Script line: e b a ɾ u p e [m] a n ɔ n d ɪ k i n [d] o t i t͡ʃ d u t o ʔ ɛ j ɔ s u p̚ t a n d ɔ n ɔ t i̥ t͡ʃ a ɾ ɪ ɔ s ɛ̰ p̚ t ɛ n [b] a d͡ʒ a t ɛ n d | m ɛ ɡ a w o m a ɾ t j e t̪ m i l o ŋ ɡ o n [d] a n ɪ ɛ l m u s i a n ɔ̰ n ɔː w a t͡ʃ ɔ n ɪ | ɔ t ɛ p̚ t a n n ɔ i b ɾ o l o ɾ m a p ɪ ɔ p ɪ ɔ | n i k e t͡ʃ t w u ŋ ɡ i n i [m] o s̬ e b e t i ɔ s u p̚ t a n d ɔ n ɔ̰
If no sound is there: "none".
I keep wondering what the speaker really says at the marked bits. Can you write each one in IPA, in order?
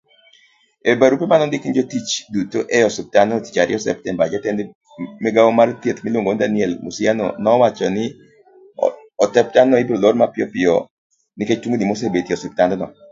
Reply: m, d͡ʒ, b, d, m

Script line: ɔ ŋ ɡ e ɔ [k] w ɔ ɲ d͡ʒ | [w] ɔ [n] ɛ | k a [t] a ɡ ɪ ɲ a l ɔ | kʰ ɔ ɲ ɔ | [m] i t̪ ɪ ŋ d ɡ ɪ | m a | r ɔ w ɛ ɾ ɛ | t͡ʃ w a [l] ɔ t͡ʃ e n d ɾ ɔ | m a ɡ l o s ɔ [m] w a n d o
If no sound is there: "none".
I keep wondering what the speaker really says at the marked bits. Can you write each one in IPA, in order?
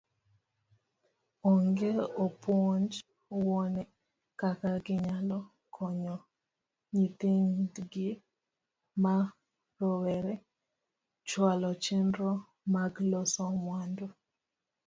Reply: p, w, n, k, ɲ, l, m

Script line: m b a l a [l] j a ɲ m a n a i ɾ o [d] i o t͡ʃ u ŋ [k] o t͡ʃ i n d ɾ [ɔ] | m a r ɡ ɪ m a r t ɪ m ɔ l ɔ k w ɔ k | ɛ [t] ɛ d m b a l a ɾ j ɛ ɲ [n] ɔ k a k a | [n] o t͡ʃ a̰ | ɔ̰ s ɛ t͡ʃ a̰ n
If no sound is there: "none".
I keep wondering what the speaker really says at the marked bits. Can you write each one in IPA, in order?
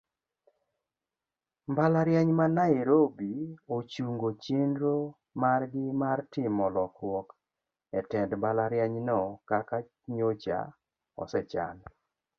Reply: ɾ, b, ɡ, o, t, n, ɲ

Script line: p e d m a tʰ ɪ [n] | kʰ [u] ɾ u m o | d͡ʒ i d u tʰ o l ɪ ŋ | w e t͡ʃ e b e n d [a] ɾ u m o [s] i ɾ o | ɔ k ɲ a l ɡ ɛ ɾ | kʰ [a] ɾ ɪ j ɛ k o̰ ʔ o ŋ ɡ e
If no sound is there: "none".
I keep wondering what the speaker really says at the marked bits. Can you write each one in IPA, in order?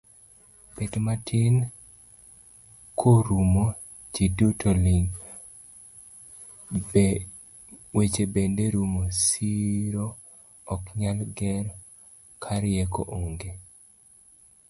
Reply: n, o, e, s, a

